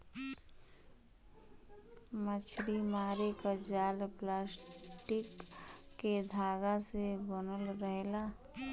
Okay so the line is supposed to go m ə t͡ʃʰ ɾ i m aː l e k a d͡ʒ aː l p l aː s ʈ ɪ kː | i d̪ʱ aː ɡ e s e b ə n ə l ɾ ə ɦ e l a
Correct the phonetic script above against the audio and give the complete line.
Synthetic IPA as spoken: m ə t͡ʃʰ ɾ i m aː ɾ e k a d͡ʒ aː l p l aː s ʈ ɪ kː | e d̪ʱ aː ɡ a s e b ə n ə l ɾ ə ɦ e l a